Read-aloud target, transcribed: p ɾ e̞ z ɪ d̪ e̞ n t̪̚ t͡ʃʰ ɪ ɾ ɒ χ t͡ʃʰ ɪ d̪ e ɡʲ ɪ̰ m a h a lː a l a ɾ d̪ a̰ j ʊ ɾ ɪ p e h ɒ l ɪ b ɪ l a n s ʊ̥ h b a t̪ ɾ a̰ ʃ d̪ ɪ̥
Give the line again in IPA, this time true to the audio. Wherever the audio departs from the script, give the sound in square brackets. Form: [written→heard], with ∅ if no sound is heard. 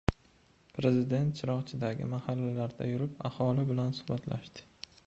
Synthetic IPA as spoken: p ɾ e̞ z ɪ d̪ e̞ n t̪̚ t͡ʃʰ ɪ ɾ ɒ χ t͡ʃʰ ɪ d̪ [e→a] ɡʲ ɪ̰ m a h a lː a l a ɾ d̪ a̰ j ʊ ɾ ɪ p [e→a] h ɒ l ɪ b ɪ l a n s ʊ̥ h b a t̪ [ɾ→l] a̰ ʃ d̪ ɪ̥